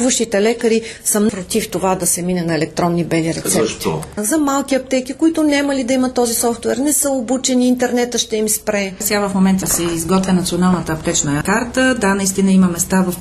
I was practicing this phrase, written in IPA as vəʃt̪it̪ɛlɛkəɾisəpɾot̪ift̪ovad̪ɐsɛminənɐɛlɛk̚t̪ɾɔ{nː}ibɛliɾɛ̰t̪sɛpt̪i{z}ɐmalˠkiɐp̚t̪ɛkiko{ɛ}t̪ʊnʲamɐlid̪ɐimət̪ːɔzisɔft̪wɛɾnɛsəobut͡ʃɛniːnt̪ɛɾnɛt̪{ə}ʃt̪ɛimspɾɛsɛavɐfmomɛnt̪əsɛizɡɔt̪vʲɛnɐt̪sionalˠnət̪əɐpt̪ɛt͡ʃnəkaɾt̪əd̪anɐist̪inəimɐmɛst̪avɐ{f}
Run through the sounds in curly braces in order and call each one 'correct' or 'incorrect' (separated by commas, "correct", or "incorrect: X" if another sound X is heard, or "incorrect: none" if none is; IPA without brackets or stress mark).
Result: correct, correct, incorrect: i, correct, correct